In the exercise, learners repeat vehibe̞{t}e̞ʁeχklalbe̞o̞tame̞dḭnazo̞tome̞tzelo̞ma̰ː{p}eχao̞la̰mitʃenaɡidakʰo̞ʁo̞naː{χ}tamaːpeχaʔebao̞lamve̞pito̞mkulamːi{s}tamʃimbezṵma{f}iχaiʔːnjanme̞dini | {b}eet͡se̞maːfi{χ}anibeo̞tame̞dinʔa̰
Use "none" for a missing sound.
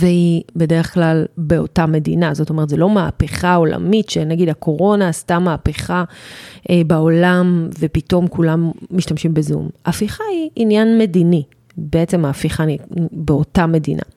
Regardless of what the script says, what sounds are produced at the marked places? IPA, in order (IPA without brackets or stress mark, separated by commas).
d, p, s, ʃ, f, b, χ